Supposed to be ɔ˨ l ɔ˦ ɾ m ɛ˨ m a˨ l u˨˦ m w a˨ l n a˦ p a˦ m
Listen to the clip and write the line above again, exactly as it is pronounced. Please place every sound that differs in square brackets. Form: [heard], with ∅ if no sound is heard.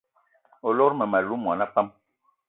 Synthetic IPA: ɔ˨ l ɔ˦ ɾ m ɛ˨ m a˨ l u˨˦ m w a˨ [∅] n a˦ p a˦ m